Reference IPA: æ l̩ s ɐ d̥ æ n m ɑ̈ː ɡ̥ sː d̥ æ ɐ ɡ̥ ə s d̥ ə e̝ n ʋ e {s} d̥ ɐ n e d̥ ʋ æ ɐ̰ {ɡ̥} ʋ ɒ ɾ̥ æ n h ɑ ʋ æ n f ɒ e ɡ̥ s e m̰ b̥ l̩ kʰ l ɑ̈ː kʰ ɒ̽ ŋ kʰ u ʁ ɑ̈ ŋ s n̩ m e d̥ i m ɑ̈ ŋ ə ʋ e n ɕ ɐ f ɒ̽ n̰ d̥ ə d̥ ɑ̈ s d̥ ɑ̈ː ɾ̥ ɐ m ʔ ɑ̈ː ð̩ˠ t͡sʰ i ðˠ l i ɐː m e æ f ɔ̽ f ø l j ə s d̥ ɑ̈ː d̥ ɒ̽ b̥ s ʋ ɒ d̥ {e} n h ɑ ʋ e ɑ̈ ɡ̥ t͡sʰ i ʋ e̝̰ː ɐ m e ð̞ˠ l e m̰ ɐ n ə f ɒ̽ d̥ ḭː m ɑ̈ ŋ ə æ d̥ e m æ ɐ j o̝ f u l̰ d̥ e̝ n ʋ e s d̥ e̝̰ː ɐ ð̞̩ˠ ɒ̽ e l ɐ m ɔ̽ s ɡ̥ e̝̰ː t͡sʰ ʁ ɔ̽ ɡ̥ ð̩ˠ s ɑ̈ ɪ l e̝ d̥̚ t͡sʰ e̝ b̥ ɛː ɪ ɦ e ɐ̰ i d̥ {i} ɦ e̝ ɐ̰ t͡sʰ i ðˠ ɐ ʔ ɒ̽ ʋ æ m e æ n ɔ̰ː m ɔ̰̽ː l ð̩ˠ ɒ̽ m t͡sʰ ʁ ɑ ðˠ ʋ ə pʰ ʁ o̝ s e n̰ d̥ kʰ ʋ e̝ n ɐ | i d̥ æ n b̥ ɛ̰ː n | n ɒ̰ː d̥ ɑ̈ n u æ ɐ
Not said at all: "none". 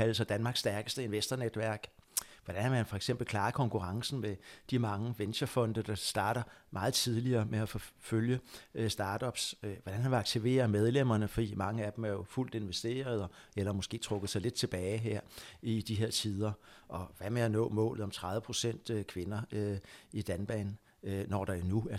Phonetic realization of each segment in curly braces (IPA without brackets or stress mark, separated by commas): s, ɡ̥, æ, i